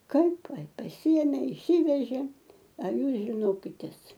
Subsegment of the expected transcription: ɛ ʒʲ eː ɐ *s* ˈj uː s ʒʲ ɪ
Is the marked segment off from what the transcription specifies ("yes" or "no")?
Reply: yes